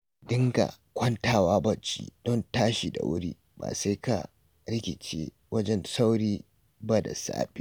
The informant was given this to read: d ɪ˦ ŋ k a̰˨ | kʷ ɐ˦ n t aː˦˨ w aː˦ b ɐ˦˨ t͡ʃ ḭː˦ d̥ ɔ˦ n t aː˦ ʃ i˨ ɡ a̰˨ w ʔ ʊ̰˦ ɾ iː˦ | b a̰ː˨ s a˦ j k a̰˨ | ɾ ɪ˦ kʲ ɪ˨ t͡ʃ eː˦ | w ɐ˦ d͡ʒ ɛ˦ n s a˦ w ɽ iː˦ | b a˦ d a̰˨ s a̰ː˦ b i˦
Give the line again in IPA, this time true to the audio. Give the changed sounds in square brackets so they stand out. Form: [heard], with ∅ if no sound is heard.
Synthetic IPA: d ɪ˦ ŋ [ɡ] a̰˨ | kʷ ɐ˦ n t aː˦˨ w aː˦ b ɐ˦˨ t͡ʃ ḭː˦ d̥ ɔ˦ n t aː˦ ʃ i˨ [d] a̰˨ w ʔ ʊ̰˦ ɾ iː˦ | b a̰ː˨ s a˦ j k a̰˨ | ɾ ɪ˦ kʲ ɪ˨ t͡ʃ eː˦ | w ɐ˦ d͡ʒ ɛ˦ n s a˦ w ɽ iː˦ | b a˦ d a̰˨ s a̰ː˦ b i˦